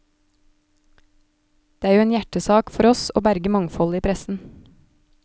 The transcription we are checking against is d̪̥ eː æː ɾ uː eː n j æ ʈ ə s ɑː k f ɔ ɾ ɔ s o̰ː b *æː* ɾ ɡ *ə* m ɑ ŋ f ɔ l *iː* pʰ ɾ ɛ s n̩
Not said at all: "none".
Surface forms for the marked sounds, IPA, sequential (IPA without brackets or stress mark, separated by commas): æ, ə, iː